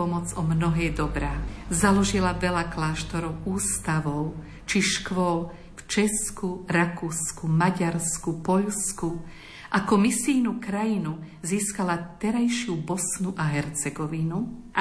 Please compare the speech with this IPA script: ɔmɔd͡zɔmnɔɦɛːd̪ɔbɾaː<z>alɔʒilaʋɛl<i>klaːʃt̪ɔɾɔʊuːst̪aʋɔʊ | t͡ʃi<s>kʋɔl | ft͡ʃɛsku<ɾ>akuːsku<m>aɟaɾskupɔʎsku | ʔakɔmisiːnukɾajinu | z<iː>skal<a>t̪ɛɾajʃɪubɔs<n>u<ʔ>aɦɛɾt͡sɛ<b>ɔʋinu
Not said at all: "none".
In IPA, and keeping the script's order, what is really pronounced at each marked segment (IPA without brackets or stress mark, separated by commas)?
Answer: z, a, ʃ, ɾ, m, iː, a, n, ʔ, ɡ